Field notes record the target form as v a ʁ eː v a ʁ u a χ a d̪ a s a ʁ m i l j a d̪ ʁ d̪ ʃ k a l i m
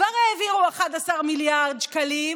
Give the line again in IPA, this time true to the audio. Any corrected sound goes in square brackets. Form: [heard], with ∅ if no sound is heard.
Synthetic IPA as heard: v a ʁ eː v [i] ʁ u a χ a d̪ a s a ʁ m i l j a [∅] ʁ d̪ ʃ k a l i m